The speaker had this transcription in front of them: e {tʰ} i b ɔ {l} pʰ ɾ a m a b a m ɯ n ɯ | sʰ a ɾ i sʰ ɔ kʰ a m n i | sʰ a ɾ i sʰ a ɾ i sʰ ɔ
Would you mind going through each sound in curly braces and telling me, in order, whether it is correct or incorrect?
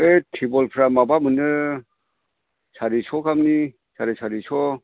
correct, correct

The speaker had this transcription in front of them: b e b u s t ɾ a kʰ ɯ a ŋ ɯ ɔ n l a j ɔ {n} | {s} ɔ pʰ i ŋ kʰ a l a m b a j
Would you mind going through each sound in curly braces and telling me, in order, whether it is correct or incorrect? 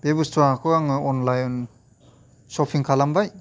correct, correct

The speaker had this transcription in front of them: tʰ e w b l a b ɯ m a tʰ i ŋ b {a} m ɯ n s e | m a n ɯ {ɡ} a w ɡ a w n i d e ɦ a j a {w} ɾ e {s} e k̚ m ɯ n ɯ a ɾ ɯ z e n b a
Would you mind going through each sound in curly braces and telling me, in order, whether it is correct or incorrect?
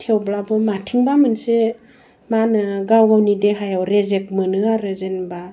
correct, correct, correct, incorrect: z

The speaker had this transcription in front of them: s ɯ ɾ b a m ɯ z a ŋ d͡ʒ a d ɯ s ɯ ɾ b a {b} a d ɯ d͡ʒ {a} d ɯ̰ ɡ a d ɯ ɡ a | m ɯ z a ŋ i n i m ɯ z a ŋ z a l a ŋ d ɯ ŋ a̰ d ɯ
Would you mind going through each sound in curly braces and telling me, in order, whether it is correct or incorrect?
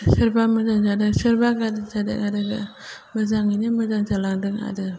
incorrect: ɡ, correct

